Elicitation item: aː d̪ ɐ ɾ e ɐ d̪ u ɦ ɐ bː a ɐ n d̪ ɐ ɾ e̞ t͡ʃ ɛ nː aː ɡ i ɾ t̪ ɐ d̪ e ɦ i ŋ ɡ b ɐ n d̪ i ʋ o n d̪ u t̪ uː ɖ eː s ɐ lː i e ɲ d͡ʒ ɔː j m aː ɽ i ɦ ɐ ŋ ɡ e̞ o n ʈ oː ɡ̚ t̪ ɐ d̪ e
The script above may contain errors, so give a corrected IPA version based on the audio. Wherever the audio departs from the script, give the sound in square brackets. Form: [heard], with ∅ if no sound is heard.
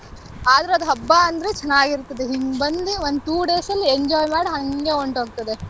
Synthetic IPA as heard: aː d̪ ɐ ɾ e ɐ d̪ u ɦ ɐ bː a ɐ n d̪ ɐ ɾ e̞ t͡ʃ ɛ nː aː ɡ i ɾ t̪ ɐ d̪ e ɦ i ŋ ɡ b ɐ n d̪ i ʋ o n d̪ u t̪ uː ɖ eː s ɐ lː i e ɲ d͡ʒ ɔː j m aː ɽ i ɦ ɐ ŋ ɡ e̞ o [ɳ] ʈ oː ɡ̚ t̪ ɐ d̪ e